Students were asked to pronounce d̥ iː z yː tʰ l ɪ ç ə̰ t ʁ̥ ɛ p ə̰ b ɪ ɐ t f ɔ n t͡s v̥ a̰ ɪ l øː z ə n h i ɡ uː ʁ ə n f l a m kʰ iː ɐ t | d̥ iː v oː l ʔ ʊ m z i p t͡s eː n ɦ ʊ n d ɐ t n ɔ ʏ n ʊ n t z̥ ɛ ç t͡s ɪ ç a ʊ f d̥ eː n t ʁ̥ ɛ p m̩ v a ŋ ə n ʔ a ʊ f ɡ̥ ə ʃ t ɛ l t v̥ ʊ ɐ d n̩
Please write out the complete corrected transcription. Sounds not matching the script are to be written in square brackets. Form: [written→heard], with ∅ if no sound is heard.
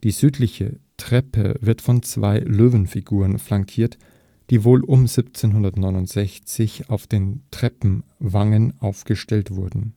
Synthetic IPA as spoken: d̥ iː z yː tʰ l ɪ ç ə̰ t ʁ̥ ɛ p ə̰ [b→v] ɪ ɐ t f ɔ n t͡s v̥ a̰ ɪ l øː [z→v] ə n [h→f] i ɡ uː ʁ ə n f l a [m→ŋ] kʰ iː ɐ t | d̥ iː v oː l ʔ ʊ m z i p t͡s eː n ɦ ʊ n d ɐ t n ɔ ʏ n ʊ n t z̥ ɛ ç t͡s ɪ ç a ʊ f d̥ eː n t ʁ̥ ɛ p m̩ v a ŋ ə n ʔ a ʊ f ɡ̥ ə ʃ t ɛ l t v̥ ʊ ɐ d n̩